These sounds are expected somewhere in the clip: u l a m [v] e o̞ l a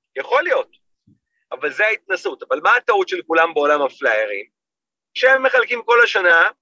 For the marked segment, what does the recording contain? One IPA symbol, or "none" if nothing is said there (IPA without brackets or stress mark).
b